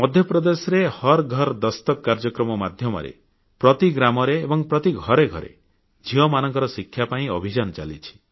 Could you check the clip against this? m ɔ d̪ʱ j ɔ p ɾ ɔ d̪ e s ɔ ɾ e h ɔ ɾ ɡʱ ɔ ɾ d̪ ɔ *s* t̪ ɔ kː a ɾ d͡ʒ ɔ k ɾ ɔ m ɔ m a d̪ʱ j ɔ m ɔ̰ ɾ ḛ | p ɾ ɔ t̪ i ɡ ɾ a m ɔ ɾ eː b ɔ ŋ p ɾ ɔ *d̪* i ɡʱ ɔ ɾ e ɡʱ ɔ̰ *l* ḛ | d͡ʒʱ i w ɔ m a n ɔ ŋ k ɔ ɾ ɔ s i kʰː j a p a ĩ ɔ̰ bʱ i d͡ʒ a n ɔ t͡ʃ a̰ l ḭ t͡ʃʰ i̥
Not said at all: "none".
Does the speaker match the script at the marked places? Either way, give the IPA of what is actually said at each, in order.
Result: s, t̪, ɾ

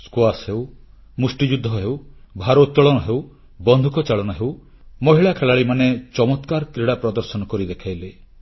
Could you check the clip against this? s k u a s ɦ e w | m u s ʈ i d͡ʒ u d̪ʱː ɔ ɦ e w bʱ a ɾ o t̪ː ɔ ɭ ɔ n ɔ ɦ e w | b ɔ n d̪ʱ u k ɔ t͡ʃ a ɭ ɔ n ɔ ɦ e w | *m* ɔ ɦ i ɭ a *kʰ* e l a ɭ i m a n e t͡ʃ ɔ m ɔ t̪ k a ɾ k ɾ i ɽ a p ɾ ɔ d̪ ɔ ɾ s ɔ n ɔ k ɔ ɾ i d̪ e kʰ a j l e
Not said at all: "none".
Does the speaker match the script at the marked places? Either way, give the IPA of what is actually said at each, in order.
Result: m, kʰ

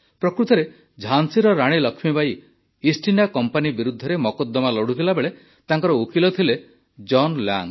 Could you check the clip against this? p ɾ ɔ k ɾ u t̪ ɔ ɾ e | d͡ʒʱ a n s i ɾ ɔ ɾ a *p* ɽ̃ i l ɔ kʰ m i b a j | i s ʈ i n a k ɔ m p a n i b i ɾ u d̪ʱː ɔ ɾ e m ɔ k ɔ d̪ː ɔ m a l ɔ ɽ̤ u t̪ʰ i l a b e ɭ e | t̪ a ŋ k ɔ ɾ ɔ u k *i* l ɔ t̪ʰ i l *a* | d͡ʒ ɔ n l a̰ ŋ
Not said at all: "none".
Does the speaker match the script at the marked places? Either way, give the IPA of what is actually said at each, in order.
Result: none, i, e

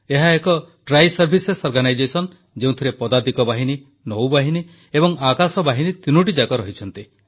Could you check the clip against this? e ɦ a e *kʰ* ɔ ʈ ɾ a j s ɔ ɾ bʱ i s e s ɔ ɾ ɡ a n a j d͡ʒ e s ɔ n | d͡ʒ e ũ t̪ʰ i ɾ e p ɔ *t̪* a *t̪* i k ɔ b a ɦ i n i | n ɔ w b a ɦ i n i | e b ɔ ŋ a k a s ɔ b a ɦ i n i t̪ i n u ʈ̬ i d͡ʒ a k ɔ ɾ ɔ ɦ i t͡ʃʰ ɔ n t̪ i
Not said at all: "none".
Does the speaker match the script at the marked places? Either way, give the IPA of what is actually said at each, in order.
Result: k, d̪, d̪

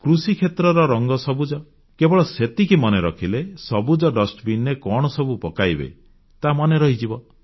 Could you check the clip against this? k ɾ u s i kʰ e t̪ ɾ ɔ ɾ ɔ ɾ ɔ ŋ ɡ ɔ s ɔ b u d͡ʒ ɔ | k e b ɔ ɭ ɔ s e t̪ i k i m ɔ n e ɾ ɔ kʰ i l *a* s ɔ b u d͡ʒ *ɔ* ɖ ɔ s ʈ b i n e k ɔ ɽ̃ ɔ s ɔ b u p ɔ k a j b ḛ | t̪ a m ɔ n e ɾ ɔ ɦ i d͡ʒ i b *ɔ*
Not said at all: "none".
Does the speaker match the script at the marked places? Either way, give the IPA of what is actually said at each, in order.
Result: e, ɔ, ɔ

